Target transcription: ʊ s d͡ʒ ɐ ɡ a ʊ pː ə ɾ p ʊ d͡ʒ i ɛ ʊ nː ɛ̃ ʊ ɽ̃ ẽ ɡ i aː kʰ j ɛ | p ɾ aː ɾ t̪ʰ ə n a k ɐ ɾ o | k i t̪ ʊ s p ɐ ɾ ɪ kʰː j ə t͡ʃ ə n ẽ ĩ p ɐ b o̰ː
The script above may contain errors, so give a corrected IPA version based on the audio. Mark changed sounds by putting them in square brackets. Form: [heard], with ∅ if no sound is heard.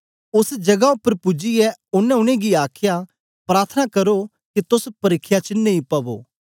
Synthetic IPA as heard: ʊ s d͡ʒ ɐ ɡ a ʊ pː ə ɾ p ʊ d͡ʒ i ɛ ʊ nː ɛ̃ ʊ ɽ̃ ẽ ɡ i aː kʰ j [a] | p ɾ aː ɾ t̪ʰ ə n a k ɐ ɾ o | k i t̪ ʊ s p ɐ ɾ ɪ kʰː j [a] t͡ʃ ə n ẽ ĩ p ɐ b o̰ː